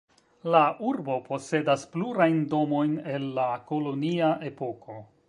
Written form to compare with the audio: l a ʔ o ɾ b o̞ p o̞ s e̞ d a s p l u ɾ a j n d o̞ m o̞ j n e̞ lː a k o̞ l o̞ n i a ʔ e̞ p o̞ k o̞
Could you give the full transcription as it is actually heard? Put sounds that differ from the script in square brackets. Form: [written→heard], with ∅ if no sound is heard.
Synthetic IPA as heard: l a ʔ [o→u] ɾ b o̞ p o̞ s e̞ d a s p l u ɾ a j n d o̞ m o̞ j n e̞ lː a k o̞ l o̞ n i a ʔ e̞ p o̞ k o̞